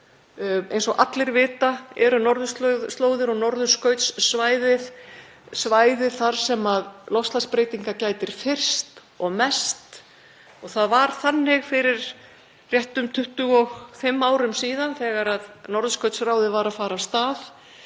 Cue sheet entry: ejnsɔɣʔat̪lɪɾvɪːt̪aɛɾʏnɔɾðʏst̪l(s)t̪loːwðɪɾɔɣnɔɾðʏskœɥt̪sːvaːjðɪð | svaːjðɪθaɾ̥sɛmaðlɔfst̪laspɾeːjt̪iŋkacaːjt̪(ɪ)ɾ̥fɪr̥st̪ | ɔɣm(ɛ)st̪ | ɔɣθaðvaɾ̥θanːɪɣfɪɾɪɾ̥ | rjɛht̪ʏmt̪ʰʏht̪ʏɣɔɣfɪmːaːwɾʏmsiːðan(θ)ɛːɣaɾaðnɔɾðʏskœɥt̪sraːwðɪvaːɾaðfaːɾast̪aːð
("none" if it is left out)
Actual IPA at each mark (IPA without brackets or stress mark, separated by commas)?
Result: s, ɪ, ɛ, θ